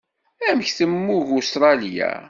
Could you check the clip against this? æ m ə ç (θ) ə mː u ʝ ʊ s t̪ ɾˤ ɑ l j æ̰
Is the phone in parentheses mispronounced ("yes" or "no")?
no